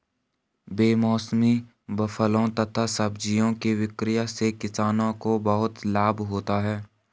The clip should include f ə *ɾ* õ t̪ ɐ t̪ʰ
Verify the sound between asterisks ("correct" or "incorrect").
incorrect